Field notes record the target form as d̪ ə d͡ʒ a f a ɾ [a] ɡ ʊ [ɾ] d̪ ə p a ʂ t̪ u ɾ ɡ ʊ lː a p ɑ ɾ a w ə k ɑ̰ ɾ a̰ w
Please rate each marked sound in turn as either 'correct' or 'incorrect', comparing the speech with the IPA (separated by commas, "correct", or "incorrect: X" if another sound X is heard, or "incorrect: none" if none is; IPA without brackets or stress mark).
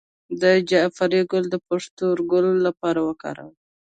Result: incorrect: i, incorrect: l